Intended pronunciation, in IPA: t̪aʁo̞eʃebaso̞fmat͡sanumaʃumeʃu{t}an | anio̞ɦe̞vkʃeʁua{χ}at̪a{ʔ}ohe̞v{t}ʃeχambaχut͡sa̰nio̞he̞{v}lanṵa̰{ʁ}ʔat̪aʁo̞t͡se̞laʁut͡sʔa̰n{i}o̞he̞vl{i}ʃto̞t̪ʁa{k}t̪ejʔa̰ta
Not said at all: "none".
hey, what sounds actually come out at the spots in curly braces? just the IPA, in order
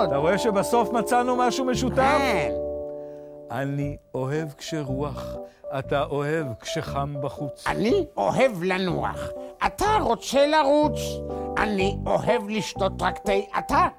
t, χ, ʔ, k, v, χ, i, i, k

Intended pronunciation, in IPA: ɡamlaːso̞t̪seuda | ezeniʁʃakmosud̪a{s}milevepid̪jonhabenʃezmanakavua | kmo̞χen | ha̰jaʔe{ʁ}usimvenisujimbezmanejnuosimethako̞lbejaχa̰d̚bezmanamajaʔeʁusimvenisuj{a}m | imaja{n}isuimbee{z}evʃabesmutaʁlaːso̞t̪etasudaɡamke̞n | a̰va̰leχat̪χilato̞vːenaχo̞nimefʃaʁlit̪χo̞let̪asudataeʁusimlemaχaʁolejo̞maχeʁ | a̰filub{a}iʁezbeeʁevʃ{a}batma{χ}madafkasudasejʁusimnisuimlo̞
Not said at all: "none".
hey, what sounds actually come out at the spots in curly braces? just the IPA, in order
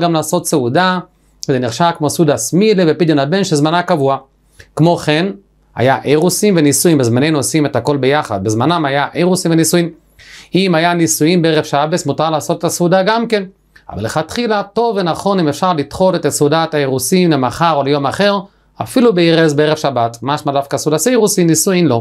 s, ʁ, i, n, ʁ, e, a, ʃ

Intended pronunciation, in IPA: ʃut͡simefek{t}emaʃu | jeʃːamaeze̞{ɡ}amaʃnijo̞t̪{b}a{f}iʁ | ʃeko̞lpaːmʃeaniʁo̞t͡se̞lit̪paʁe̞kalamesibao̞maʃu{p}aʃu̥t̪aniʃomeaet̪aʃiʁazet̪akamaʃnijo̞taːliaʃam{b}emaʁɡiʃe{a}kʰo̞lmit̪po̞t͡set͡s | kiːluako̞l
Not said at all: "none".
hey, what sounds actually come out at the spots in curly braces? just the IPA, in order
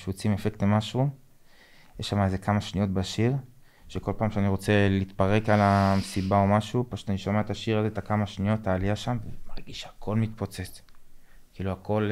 t, k, b, ʃ, p, v, a

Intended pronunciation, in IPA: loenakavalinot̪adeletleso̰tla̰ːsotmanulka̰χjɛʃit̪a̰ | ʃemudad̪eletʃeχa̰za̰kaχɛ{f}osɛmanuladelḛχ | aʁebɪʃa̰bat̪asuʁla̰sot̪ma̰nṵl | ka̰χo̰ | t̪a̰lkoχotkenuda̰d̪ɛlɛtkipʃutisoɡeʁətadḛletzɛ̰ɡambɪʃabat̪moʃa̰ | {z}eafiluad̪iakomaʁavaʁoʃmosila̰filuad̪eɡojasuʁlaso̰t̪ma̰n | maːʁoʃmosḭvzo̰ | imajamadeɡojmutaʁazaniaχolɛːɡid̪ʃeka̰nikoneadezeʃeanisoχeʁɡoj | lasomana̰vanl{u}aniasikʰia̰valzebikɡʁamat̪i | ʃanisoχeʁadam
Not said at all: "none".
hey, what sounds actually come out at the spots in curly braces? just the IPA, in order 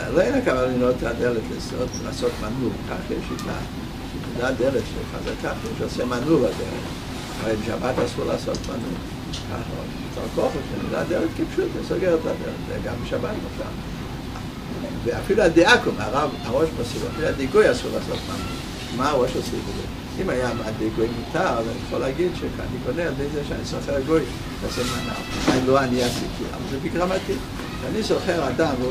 ʃ, v, o

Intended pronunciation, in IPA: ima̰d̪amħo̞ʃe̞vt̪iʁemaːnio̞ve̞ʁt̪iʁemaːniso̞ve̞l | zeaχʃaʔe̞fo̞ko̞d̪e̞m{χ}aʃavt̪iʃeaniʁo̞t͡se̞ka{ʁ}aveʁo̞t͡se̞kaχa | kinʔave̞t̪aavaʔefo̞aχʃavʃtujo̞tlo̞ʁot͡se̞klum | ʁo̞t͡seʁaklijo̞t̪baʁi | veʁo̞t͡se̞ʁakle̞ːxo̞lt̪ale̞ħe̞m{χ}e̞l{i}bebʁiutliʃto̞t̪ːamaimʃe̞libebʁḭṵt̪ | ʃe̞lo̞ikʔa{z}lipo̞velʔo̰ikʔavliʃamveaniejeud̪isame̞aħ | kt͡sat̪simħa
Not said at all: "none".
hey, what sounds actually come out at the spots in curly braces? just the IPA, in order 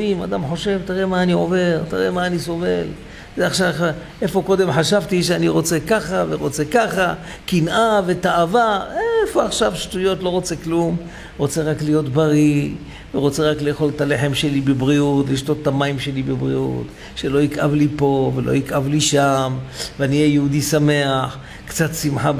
ħ, χ, ʃ, i, v

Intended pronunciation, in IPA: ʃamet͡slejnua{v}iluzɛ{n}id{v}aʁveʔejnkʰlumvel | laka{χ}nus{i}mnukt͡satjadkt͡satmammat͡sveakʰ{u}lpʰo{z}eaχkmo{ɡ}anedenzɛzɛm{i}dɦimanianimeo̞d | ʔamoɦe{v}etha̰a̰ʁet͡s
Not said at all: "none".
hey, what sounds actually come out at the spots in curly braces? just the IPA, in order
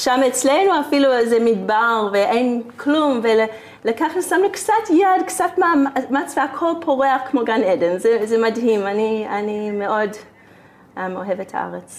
f, m, b, χ, a, o, ʁ, ɡ, a, v

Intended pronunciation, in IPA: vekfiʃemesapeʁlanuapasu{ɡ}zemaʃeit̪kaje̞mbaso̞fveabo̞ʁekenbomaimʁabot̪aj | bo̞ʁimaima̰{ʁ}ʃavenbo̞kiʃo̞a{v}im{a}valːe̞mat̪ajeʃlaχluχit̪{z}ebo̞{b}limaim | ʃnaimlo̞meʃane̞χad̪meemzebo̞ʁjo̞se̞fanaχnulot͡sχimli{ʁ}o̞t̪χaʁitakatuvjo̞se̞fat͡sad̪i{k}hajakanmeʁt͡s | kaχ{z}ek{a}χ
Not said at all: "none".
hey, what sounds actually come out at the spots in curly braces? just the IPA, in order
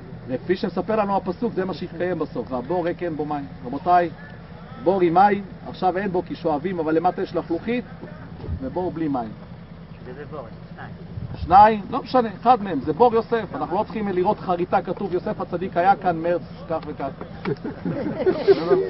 k, χ, v, a, v, b, ʁ, k, v, a

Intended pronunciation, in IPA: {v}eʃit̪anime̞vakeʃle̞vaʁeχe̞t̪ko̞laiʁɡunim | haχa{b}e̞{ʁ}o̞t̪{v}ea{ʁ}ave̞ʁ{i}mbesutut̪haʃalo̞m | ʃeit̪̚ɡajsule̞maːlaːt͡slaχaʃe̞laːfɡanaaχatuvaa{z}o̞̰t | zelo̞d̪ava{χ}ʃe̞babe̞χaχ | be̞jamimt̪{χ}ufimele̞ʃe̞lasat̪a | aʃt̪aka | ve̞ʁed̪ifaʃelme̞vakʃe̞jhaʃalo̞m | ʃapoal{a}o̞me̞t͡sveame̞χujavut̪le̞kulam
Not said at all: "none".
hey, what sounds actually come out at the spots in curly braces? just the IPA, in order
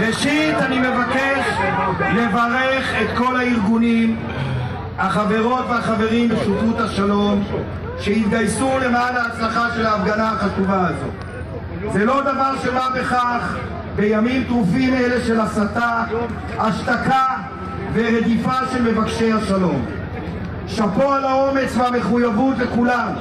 ʁ, v, ʁ, v, χ, i, z, ʁ, ʁ, a

